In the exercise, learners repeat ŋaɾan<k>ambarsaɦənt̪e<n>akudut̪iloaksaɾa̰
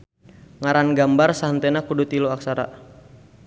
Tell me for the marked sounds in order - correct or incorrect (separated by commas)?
incorrect, correct